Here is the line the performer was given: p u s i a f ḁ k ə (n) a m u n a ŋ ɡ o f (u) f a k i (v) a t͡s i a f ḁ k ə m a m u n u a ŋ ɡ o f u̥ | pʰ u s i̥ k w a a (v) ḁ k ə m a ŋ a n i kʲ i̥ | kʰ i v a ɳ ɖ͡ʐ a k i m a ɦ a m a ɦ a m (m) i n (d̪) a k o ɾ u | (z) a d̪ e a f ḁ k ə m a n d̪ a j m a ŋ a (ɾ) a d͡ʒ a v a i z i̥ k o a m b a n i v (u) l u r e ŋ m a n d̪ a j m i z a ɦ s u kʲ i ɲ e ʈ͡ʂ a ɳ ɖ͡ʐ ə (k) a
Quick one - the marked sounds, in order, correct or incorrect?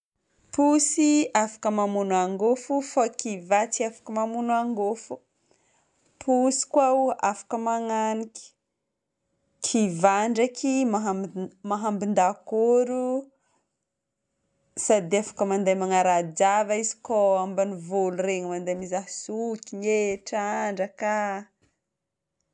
incorrect: m, correct, correct, incorrect: f, incorrect: b, correct, incorrect: s, correct, incorrect: o, correct

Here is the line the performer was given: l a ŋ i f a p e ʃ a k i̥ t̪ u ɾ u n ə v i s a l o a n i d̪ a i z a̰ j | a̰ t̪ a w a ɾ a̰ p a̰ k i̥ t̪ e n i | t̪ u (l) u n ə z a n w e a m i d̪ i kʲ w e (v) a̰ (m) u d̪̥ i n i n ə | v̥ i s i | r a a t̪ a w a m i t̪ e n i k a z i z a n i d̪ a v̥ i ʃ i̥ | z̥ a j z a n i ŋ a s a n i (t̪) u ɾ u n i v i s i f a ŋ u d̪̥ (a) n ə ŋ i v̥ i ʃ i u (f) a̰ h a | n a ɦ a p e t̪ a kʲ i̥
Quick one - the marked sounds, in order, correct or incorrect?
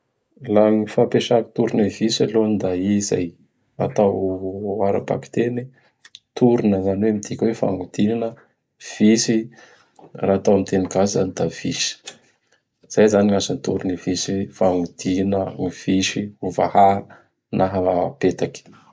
incorrect: ɾ, incorrect: f, incorrect: ŋ, correct, incorrect: i, incorrect: v

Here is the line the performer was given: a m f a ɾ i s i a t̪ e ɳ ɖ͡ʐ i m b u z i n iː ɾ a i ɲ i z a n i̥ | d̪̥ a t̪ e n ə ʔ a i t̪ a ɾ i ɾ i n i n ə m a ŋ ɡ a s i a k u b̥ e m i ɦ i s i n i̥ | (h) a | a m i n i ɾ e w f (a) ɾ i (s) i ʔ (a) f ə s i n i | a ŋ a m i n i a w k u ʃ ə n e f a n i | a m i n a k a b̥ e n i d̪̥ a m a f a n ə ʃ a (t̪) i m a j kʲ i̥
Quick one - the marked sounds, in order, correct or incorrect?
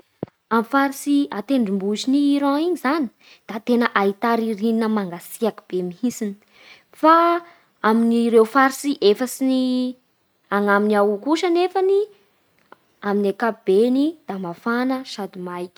incorrect: f, correct, correct, incorrect: e, incorrect: d̪

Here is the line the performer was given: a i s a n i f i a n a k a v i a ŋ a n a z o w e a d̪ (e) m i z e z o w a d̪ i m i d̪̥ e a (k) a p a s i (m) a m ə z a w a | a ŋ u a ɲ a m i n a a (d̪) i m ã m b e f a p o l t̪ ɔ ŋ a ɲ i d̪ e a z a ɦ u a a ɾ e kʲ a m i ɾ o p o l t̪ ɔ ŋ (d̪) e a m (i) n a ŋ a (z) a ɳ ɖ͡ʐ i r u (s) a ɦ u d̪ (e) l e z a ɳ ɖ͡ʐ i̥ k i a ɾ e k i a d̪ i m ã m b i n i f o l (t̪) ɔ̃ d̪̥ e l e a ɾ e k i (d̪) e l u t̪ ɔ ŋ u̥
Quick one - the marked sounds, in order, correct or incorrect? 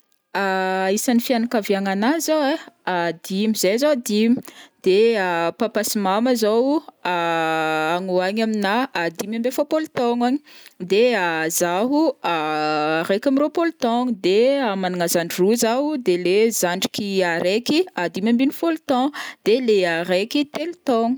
incorrect: i, incorrect: p, correct, correct, correct, incorrect: a, correct, incorrect: z, correct, correct, incorrect: t̪

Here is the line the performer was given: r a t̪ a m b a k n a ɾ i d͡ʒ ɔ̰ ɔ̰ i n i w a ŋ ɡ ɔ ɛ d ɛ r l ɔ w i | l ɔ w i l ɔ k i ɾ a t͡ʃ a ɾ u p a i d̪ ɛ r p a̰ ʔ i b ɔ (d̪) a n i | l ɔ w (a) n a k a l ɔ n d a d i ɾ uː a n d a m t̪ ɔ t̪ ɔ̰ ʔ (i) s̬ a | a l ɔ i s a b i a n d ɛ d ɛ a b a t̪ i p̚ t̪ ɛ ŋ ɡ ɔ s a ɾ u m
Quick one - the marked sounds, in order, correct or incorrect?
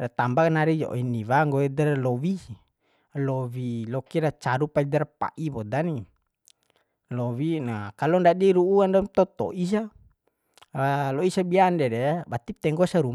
correct, incorrect: i, correct

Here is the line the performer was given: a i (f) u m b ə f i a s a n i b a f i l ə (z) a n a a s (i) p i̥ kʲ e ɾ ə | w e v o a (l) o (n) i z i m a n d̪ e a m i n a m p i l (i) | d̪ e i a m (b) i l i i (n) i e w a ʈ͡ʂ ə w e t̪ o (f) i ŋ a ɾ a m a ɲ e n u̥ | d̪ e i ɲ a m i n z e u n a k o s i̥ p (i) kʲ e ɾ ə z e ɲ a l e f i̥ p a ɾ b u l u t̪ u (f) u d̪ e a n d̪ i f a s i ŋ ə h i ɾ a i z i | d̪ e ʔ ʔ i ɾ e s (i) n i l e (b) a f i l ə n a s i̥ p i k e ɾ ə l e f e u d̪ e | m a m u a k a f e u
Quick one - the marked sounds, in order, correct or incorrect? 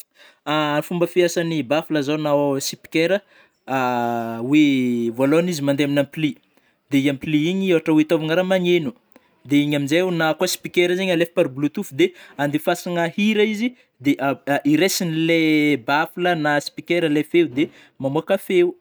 correct, correct, correct, correct, correct, correct, incorrect: p, incorrect: ɲ, incorrect: v, correct, correct, correct, correct

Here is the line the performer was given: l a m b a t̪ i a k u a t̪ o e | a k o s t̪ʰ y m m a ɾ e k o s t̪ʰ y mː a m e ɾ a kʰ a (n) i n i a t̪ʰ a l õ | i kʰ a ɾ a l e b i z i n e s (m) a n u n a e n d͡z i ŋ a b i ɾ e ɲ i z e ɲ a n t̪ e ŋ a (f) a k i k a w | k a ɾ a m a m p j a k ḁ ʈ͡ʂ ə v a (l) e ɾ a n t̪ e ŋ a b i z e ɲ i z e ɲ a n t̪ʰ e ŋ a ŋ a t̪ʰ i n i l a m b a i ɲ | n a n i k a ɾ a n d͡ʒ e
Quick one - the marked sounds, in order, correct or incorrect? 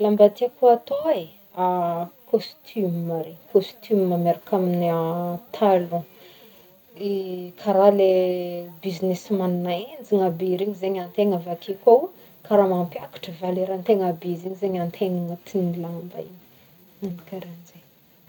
incorrect: m, correct, incorrect: v, correct

